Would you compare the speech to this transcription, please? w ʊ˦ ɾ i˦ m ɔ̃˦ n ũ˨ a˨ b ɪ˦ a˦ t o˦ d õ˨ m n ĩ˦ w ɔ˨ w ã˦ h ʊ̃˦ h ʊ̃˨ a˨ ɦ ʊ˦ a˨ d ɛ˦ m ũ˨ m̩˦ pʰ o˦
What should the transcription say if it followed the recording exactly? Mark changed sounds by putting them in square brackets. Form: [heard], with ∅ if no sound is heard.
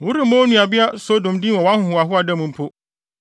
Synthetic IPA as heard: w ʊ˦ ɾ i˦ m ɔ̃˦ n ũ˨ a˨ b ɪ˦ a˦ [s] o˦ d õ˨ m [d] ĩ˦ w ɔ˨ w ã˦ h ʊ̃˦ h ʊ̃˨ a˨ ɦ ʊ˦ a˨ d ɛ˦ m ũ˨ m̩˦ pʰ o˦